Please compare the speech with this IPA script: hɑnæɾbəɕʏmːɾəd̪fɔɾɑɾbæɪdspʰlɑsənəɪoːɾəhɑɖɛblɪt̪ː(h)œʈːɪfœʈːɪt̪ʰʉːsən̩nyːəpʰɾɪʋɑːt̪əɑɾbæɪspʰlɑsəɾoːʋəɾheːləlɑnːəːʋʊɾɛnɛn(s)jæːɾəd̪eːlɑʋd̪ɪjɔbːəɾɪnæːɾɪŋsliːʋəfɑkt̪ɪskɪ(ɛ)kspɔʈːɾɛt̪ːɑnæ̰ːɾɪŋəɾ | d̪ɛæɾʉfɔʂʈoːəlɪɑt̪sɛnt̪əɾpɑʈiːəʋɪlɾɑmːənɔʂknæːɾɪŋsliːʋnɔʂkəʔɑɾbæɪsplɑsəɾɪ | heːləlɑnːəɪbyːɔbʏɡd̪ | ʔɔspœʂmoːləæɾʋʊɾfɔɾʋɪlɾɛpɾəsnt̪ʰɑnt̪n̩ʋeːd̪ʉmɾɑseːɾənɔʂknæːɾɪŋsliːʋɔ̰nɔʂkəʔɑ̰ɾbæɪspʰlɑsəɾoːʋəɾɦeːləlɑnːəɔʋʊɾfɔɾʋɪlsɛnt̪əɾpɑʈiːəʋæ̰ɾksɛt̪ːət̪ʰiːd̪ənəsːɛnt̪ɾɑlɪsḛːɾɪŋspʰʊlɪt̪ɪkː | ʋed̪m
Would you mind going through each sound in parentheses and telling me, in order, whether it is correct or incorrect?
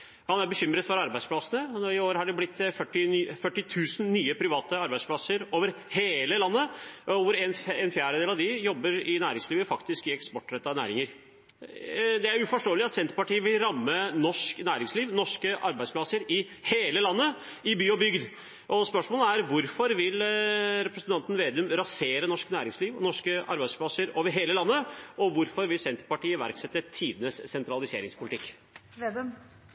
incorrect, incorrect, correct

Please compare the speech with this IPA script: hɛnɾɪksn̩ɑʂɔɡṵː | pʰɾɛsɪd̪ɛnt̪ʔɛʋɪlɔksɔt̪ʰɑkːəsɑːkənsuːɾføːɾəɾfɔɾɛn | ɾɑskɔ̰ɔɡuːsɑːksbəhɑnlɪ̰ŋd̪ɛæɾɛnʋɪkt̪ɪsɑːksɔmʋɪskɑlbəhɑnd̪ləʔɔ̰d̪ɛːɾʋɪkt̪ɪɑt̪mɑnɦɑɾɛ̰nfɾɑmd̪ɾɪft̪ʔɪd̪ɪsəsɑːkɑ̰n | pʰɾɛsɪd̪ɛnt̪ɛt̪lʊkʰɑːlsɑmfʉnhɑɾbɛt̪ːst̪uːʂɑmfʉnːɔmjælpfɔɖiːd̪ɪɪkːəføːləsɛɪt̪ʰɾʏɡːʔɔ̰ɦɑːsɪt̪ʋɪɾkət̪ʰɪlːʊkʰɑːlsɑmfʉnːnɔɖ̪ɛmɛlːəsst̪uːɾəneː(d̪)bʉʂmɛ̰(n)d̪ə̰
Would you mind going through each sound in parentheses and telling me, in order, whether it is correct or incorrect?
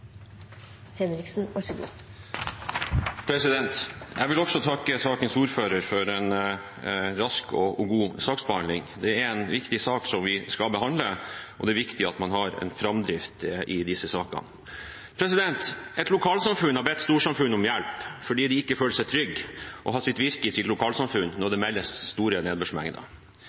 correct, incorrect

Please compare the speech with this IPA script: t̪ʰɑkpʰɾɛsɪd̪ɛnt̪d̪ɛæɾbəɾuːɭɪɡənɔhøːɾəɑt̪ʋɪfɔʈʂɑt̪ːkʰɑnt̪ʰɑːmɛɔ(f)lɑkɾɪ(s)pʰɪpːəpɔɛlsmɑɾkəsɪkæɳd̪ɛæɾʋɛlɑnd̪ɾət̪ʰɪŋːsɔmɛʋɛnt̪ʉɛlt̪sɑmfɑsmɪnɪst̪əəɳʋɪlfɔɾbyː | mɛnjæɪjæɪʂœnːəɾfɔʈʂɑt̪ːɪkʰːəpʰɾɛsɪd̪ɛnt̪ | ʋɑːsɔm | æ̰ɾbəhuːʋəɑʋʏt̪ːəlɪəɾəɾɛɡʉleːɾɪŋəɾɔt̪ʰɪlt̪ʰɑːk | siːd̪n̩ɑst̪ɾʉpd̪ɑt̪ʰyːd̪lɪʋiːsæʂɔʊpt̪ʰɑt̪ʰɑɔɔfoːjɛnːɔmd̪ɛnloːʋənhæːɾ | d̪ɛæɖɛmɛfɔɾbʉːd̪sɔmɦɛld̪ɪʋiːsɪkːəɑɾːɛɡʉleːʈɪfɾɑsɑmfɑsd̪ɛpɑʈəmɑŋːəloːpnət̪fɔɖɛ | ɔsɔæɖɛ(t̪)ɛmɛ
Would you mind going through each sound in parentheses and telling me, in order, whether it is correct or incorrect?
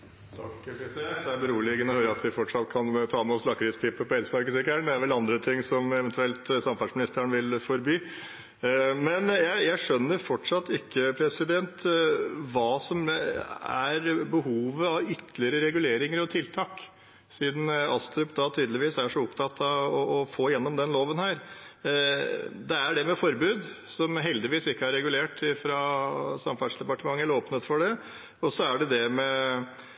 incorrect, correct, incorrect

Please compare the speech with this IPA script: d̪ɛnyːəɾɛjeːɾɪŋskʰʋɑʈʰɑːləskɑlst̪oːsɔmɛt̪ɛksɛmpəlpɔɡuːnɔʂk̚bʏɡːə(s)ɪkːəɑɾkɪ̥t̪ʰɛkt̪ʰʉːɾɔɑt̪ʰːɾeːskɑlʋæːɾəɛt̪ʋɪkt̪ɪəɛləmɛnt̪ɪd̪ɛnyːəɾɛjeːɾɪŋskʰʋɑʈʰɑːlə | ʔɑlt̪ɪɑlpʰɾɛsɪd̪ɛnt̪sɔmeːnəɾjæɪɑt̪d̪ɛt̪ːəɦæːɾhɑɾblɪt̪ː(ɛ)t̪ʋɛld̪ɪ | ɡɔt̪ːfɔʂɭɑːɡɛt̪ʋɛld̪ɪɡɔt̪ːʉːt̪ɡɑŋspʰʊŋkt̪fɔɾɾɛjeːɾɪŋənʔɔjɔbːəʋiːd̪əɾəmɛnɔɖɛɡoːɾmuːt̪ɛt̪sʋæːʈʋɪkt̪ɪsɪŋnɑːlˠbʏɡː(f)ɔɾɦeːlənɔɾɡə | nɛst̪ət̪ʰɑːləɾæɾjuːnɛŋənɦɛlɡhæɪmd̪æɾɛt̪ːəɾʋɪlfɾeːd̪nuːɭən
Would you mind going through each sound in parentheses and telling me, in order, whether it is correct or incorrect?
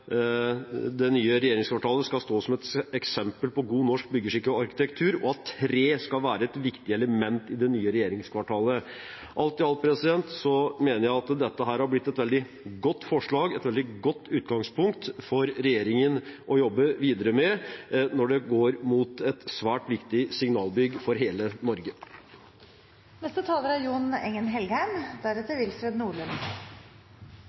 incorrect, correct, correct

